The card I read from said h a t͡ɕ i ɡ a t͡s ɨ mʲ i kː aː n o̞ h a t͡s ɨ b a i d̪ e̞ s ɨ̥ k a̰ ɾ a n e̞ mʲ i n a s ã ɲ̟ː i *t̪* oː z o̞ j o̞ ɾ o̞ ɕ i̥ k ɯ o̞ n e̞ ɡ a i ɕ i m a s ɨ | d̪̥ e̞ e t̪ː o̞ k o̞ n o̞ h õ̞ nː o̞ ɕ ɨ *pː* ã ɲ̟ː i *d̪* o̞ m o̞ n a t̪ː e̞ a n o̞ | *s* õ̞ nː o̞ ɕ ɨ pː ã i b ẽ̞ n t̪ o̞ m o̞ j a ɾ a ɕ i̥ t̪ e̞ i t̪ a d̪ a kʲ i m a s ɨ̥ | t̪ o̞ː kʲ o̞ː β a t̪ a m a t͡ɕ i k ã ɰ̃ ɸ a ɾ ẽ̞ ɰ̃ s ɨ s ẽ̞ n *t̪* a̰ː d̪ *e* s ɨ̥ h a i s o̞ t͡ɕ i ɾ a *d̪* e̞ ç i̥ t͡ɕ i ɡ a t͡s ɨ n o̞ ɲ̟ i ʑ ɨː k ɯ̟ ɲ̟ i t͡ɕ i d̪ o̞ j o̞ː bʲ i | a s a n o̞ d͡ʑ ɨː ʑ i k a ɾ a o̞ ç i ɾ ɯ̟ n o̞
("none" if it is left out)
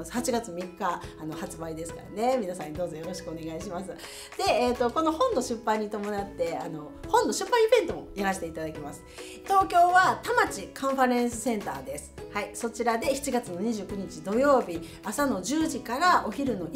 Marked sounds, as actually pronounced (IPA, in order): d̪, pː, t̪, h, t̪, e, d̪

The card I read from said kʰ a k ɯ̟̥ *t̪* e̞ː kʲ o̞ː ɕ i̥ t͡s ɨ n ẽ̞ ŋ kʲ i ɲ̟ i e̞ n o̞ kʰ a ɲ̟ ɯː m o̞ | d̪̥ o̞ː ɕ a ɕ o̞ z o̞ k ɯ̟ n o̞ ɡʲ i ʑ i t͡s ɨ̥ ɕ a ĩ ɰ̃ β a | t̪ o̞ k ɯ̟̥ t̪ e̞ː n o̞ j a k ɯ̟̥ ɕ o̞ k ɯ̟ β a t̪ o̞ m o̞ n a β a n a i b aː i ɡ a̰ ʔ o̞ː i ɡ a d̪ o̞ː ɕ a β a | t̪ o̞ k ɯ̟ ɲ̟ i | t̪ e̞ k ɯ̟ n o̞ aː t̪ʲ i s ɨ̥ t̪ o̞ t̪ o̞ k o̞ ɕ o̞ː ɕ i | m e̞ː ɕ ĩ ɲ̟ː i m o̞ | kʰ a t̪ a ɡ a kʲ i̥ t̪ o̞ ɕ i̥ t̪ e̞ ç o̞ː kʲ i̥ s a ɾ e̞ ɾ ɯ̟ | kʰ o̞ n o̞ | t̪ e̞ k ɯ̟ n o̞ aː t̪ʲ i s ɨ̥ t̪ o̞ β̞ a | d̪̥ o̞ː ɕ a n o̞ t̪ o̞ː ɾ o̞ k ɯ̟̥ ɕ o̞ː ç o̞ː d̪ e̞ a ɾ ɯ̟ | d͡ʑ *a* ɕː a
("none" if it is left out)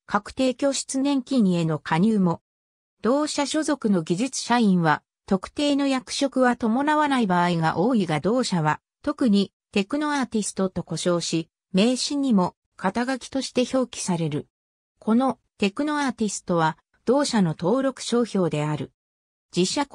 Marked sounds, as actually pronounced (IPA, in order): t̪, i

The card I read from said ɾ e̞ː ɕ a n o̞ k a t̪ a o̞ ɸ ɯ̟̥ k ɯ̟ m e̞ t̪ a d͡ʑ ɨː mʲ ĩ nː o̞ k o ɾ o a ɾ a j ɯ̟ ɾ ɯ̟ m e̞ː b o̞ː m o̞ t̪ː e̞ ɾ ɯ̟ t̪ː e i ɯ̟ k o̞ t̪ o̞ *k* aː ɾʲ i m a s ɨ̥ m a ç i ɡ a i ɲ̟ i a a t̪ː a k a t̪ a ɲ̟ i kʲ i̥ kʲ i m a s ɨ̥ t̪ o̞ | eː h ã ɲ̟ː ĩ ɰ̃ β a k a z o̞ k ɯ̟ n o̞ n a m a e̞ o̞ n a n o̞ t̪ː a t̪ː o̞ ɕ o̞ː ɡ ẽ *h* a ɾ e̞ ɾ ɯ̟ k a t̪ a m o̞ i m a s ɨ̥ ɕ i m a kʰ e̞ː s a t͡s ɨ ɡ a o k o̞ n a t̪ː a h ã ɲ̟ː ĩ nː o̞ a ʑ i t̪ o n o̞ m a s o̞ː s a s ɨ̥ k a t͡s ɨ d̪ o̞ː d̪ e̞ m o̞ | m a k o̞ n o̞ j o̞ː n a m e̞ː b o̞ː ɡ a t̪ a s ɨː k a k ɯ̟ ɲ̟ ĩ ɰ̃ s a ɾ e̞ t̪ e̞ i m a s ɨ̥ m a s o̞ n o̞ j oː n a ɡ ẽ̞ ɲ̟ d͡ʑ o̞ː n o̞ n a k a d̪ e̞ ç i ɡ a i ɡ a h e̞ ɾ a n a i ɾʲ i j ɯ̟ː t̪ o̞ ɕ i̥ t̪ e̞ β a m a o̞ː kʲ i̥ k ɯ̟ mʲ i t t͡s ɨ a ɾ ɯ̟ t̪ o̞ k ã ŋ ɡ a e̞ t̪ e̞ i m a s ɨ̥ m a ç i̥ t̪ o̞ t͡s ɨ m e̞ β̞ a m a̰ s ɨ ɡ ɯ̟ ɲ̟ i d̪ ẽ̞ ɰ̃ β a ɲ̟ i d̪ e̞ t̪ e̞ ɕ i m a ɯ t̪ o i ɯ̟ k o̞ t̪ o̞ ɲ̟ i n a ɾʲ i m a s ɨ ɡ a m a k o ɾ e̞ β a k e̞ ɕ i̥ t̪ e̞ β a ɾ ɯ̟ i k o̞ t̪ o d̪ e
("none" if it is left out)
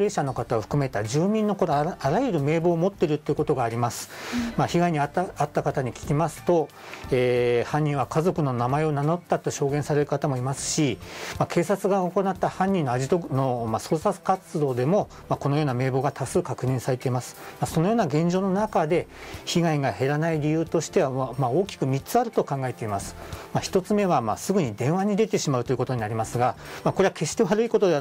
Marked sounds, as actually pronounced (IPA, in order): ɡ, s

